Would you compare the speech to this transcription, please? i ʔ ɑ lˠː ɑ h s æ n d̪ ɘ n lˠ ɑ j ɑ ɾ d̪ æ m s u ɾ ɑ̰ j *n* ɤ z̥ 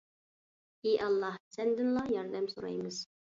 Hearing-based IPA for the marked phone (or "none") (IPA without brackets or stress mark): m